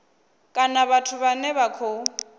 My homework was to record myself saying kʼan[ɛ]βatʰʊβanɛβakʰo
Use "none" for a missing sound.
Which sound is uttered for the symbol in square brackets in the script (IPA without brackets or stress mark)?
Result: a